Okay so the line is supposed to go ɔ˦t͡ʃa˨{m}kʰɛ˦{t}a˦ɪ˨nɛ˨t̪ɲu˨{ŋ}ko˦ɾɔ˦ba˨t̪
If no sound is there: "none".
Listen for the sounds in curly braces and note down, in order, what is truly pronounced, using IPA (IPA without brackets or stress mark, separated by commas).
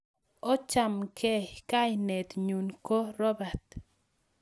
m, k, n